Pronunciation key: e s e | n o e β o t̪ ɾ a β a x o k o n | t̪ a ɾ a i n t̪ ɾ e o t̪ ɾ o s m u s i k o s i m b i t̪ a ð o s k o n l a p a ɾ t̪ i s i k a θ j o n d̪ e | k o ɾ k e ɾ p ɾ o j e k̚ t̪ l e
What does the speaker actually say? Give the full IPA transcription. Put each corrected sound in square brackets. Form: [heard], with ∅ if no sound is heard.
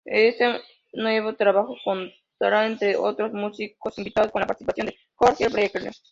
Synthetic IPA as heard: e s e | n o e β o t̪ ɾ a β a x o k o n | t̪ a ɾ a [e] n t̪ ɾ e o t̪ ɾ o s m u s i k o s i m b i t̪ a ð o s k o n l a p a ɾ t̪ i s i [p] a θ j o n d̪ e | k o ɾ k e ɾ p ɾ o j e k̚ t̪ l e